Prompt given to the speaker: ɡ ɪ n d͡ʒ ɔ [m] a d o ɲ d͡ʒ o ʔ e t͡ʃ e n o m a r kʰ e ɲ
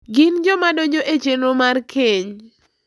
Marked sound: correct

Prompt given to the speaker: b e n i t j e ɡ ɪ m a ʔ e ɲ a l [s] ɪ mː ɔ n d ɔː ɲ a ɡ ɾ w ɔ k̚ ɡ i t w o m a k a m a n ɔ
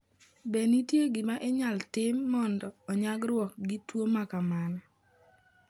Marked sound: incorrect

